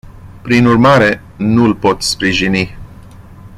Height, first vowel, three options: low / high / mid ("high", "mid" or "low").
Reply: high